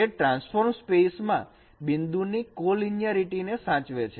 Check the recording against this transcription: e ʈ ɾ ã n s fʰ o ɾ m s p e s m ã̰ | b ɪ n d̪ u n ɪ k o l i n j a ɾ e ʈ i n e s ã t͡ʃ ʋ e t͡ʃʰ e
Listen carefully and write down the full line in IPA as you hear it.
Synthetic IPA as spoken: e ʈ ɾ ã n s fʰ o ɾ m s p e s m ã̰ | b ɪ n d̪ u n i k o l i n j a ɾ i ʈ i n e s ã t͡ʃ ʋ e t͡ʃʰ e

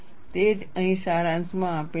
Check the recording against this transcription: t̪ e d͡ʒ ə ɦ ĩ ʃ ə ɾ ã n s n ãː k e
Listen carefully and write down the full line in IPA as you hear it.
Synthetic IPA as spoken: t̪ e d͡ʒ ə ɦ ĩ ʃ a ɾ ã n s m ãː p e

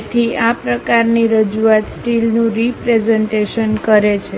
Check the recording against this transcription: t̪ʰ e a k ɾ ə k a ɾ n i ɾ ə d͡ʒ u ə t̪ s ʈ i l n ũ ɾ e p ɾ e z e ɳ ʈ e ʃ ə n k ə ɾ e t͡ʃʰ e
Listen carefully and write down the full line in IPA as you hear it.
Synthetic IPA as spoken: t̪ʰ i a p ɾ ə k a ɾ n i ɾ ə d͡ʒ u a t̪ s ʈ i l n ũ ɾ i p ɾ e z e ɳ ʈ e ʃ ə n k ə ɾ e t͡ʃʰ e

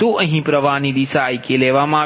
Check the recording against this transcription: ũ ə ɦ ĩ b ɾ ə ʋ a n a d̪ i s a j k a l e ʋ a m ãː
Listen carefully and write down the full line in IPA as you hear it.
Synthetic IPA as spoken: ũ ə ɦ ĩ p ɾ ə ʋ a n i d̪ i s a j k e l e ʋ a m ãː

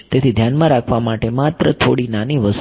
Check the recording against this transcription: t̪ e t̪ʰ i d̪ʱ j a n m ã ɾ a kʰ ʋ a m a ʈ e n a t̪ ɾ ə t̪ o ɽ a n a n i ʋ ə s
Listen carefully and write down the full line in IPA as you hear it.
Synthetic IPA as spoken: t̪ e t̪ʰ i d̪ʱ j a n m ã ɾ a kʰ ʋ a m a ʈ e m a t̪ ɾ ə t̪ʰ o ɽ i n a n i ʋ ə s

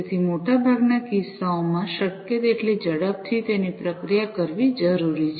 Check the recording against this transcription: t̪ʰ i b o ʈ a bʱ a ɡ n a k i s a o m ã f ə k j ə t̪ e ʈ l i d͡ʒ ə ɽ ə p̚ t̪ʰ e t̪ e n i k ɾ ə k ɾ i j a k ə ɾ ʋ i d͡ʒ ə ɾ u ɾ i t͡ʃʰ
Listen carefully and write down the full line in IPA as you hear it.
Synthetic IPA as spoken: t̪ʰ i m o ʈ a bʱ a ɡ n a k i s a o m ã ʃ ə k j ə t̪ e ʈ l i d͡ʒ ə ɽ ə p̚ t̪ʰ i t̪ e n i p ɾ ə k ɾ i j a k ə ɾ ʋ i d͡ʒ ə ɾ u ɾ i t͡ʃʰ

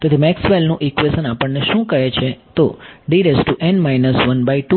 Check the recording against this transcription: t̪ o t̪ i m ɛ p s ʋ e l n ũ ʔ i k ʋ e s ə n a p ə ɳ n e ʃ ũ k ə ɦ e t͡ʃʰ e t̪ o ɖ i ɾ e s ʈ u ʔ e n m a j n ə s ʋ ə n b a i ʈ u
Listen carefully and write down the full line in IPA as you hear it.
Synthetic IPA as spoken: t̪ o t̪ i m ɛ k s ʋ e l n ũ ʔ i k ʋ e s ə n a p ə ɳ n e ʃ ũ k ə ɦ e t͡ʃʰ e t̪ o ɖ i ɾ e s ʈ u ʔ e n m a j n ə s ʋ ə n b a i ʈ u

